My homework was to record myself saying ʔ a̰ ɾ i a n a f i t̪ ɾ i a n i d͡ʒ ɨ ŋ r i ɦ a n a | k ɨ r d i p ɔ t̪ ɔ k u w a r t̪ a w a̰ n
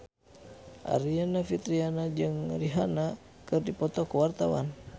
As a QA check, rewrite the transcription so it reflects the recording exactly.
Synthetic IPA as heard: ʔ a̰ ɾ i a n a f i t̪ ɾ i a n a d͡ʒ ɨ ŋ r i ɦ a n a | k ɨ r d i p ɔ t̪ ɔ k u w a r t̪ a w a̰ n